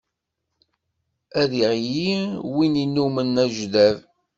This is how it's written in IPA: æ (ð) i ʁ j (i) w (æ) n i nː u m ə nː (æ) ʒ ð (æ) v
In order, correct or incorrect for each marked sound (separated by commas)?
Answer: correct, correct, incorrect, correct, correct